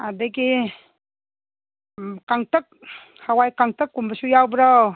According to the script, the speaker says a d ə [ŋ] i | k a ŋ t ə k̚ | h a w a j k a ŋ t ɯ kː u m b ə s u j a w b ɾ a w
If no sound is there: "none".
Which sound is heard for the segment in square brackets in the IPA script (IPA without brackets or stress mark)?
ɡ